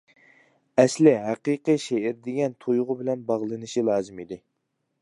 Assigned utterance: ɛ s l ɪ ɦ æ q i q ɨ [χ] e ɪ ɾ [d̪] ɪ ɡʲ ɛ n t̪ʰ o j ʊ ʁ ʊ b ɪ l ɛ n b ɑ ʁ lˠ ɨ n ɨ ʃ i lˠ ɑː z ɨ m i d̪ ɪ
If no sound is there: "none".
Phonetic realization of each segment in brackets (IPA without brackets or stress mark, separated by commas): ʃ, d̪